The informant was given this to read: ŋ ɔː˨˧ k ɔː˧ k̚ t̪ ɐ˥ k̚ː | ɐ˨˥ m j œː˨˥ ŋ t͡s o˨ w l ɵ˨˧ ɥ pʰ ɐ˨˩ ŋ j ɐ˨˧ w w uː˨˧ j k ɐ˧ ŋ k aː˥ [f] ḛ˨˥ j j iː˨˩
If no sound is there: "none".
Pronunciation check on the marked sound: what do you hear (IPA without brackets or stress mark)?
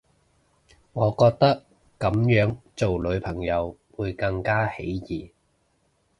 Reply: h